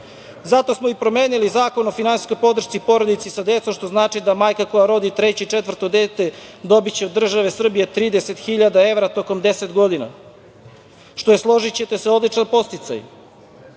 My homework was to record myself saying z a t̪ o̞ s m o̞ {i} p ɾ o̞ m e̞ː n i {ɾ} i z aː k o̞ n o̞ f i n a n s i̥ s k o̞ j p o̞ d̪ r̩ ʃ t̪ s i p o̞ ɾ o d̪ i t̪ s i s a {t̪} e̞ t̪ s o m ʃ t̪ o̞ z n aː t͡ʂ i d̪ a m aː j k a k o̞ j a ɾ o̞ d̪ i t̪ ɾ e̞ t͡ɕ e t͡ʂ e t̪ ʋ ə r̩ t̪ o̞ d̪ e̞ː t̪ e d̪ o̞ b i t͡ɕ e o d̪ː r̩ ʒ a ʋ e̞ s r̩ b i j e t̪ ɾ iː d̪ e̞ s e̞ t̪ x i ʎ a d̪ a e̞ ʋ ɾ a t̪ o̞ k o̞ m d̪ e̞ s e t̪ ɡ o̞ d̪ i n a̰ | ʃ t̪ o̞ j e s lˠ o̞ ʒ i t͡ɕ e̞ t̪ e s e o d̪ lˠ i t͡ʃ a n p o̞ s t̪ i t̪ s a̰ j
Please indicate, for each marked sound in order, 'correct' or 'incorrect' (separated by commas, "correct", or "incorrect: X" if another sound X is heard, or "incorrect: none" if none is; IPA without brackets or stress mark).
correct, incorrect: l, incorrect: d̪